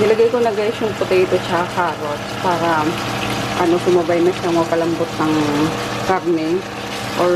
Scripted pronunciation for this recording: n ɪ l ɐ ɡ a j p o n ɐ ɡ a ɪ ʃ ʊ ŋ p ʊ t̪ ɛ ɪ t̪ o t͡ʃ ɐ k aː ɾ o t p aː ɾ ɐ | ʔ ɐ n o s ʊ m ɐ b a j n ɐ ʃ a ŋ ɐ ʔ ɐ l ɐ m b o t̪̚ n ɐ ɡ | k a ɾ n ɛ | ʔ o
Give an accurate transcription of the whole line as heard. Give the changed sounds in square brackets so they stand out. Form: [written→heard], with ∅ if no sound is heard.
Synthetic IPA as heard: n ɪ l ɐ ɡ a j [p→k] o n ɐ ɡ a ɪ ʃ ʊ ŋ p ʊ t̪ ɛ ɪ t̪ o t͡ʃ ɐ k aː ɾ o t p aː ɾ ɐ | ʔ ɐ n o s ʊ m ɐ b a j n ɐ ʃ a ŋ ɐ [ʔ→k] ɐ l ɐ m b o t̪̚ n ɐ [ɡ→ŋ] | k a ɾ n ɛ | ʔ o